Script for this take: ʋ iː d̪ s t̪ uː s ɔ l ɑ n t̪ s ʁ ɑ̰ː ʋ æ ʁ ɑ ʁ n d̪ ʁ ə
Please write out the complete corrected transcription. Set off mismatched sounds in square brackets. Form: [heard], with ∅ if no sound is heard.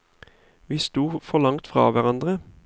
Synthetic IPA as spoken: ʋ iː [∅] s t̪ uː [f] ɔ l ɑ [ŋ] t̪ [f] ʁ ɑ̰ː ʋ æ ʁ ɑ [∅] n d̪ ʁ ə